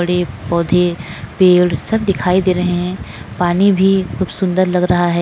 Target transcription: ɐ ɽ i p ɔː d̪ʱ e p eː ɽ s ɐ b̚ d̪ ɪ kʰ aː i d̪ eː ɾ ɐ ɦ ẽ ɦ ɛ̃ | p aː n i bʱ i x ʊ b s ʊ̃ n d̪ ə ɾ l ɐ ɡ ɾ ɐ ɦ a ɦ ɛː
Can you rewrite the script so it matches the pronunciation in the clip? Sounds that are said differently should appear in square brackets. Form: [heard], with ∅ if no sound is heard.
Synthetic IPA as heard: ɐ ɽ [e] p ɔː d̪ʱ e p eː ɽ s ɐ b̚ d̪ ɪ kʰ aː i d̪ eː ɾ ɐ ɦ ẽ ɦ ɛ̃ | p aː n i bʱ i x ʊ b s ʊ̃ n d̪ ə ɾ l ɐ ɡ ɾ ɐ ɦ a ɦ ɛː